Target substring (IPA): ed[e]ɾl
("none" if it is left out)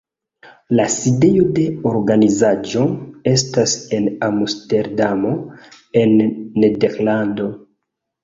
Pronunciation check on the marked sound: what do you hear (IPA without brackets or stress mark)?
e